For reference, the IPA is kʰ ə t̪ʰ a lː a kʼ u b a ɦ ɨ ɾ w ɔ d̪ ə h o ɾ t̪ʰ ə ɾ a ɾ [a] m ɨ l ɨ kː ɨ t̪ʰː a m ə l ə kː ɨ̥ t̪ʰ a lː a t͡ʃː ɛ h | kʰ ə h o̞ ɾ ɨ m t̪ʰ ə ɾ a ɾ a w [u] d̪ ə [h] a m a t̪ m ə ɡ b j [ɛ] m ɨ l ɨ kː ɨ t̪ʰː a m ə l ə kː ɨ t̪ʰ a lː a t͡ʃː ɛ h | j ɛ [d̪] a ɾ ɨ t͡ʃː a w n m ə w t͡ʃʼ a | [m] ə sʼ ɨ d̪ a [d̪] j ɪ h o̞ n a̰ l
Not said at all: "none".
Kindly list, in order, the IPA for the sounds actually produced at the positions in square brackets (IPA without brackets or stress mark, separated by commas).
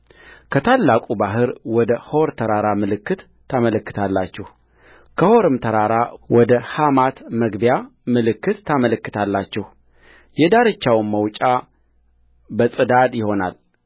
a, ɔ, h, a, d̪, b, d̪